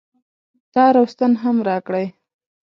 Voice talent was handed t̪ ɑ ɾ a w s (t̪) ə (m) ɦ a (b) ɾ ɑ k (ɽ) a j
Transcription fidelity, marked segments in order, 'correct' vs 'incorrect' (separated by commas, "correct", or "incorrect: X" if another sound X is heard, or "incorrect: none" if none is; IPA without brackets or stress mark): correct, incorrect: n, incorrect: m, correct